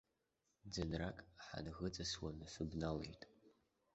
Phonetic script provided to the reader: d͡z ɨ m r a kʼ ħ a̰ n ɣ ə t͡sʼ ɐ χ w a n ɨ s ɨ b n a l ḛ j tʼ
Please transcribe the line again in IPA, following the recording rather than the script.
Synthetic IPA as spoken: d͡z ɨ n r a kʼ ħ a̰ n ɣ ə t͡sʼ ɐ s w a n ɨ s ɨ b n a l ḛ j tʼ

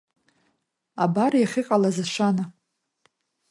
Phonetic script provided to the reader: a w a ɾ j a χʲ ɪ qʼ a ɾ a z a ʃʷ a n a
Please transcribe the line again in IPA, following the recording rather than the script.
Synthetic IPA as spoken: a b a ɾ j a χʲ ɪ qʼ a l a z a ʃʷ a n a

